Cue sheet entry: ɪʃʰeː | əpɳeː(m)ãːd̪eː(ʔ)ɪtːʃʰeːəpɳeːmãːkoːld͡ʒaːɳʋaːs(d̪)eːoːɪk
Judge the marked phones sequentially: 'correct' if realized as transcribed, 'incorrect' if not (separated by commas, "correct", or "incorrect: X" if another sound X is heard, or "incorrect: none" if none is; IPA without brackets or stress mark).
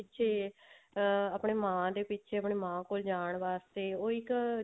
correct, incorrect: p, incorrect: t̪